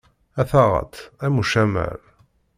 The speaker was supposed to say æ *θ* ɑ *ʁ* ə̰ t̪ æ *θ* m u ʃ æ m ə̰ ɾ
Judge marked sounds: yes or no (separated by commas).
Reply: yes, yes, no